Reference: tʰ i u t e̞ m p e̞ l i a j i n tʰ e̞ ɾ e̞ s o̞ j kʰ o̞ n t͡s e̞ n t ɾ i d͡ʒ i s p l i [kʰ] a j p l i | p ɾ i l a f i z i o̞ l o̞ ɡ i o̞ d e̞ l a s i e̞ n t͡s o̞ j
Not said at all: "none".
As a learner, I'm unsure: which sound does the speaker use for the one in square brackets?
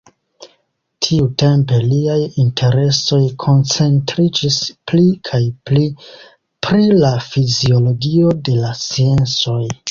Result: kʰ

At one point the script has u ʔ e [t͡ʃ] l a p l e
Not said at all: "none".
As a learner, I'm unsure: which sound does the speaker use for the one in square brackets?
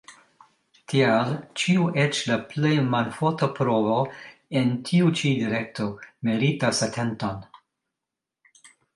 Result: t͡ʃ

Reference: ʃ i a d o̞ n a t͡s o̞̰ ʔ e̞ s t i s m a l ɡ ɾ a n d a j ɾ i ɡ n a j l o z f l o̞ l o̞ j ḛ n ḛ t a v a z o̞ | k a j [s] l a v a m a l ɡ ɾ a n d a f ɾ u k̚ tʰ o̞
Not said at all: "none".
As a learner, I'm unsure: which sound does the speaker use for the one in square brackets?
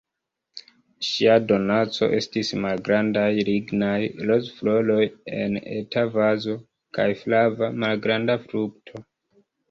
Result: f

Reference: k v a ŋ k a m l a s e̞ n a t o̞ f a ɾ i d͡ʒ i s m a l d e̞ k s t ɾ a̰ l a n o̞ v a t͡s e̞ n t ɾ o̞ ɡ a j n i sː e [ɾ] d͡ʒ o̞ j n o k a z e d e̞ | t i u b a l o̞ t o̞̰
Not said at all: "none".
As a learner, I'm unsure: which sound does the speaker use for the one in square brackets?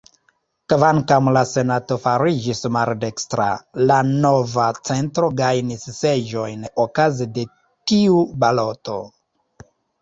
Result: none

